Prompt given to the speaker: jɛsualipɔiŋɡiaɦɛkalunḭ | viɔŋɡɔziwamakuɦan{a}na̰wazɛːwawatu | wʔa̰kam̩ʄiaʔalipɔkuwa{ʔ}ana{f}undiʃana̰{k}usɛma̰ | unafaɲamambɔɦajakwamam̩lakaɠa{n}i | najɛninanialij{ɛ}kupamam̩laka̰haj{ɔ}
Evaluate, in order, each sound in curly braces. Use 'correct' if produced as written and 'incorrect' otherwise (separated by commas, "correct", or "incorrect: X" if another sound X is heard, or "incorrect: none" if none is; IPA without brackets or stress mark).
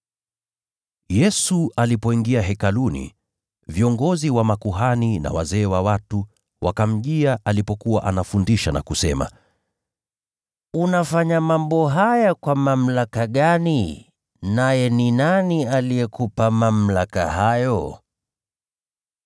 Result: incorrect: i, correct, correct, correct, correct, correct, correct